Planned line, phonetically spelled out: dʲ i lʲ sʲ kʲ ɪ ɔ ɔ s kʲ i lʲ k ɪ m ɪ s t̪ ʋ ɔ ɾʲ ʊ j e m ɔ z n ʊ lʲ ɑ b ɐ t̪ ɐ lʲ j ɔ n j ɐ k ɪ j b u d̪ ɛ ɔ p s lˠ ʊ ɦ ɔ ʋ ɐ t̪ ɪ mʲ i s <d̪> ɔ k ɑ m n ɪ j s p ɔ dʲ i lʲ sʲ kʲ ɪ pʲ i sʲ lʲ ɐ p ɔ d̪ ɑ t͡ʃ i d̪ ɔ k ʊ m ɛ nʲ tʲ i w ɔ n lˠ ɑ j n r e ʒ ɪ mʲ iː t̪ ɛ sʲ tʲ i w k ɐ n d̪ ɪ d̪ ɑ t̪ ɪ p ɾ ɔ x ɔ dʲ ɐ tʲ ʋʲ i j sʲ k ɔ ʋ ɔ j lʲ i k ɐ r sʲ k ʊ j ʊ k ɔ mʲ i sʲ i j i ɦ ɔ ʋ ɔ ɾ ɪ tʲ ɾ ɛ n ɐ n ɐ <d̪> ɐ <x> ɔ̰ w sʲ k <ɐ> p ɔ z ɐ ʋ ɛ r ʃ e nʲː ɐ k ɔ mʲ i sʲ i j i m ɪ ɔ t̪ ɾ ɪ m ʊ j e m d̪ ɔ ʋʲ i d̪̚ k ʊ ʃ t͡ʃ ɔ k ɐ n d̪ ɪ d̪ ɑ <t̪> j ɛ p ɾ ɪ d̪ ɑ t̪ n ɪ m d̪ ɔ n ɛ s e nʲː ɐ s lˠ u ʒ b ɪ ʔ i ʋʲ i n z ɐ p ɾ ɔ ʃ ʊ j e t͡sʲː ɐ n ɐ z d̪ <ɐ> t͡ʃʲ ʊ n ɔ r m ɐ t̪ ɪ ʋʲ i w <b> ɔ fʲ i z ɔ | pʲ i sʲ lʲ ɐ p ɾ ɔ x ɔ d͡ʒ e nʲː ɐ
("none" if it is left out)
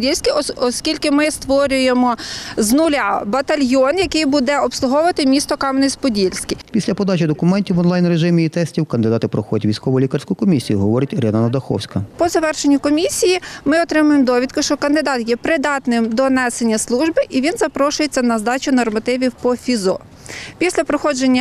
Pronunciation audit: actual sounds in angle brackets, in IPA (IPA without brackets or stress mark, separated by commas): t̪, d̪, x, ɐ, t̪, ɑ, p